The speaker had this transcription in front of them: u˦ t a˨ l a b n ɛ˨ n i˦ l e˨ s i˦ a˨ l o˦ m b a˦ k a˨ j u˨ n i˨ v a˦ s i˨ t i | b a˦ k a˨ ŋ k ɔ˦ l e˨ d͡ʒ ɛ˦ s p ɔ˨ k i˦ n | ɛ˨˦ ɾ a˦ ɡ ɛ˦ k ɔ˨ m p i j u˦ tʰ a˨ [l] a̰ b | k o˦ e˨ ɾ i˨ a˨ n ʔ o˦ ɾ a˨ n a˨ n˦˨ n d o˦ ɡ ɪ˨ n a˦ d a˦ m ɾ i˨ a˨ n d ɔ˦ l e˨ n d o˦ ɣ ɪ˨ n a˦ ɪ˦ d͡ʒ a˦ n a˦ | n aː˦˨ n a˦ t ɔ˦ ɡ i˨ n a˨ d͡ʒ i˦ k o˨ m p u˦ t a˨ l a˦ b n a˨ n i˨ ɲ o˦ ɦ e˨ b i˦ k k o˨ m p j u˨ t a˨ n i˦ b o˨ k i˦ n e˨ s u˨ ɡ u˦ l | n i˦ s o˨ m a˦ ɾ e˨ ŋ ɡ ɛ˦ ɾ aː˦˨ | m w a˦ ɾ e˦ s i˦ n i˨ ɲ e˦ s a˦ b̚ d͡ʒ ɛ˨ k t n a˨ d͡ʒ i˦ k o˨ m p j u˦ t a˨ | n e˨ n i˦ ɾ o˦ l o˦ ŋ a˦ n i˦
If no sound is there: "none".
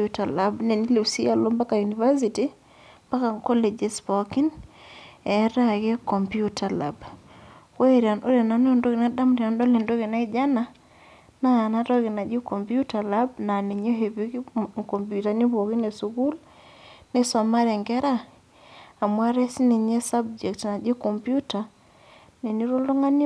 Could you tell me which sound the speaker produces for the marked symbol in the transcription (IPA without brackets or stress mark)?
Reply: l